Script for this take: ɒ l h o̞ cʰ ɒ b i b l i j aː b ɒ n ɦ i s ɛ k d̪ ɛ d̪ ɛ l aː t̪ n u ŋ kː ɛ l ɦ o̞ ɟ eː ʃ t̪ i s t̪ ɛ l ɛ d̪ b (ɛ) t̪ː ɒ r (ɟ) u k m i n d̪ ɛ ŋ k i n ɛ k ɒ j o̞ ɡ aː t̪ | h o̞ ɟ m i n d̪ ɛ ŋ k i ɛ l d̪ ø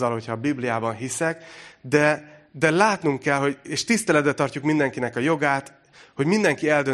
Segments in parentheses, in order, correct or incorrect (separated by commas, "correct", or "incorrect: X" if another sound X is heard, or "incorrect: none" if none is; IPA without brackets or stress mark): correct, incorrect: c